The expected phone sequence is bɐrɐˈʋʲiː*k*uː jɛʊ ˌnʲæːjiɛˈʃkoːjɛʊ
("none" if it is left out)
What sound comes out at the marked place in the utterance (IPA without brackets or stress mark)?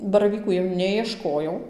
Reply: k